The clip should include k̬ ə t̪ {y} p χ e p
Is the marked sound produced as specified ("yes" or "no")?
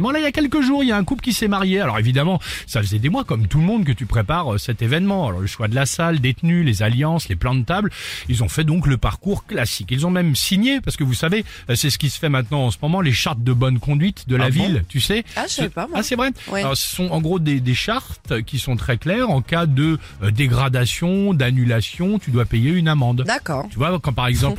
yes